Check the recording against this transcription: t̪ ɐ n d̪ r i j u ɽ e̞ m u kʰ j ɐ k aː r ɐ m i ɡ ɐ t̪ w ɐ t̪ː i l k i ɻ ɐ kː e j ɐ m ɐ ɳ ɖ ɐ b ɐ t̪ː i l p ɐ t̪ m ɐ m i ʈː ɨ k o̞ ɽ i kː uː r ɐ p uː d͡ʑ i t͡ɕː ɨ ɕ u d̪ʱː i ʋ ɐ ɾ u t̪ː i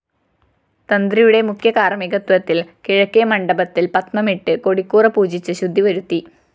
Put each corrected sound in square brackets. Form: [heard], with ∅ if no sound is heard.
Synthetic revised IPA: t̪ ɐ n d̪ r i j u ɽ e̞ m u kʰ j ɐ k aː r ɐ m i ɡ ɐ t̪ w ɐ t̪ː i l k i ɻ ɐ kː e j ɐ m ɐ ɳ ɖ ɐ b ɐ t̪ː i l p ɐ t̪ m ɐ m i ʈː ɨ k o̞ ɽ i kː uː r ɐ p uː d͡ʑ i t͡ɕː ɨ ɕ u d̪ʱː i ʋ ɐ ɾ u t̪ː i